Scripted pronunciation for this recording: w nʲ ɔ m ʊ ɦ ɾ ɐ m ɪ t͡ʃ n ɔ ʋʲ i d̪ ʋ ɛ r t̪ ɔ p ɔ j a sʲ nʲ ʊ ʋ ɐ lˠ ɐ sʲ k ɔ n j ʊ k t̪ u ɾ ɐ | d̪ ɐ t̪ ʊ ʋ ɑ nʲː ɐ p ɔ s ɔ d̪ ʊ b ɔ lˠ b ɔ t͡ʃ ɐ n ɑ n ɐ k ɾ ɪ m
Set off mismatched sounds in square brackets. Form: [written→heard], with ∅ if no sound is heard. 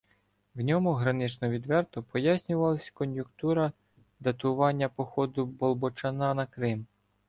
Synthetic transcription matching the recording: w nʲ ɔ m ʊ ɦ ɾ ɐ [m→n] ɪ t͡ʃ n ɔ ʋʲ i d̪ ʋ ɛ r t̪ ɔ p ɔ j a sʲ nʲ ʊ ʋ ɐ lˠ ɐ sʲ k ɔ n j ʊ k t̪ u ɾ ɐ | d̪ ɐ t̪ ʊ ʋ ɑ nʲː ɐ p ɔ [s→x] ɔ d̪ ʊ b ɔ lˠ b ɔ t͡ʃ ɐ n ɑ n ɐ k ɾ ɪ m